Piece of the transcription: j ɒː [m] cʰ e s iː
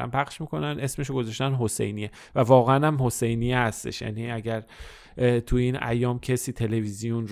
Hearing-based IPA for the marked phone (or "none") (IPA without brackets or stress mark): m